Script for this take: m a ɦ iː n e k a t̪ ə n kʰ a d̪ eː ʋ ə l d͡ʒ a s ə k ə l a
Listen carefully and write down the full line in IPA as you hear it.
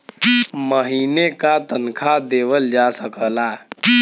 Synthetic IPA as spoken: m ə ɦ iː n e k a t̪ ə n kʰ a d̪ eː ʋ ə l d͡ʒ a s ə k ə l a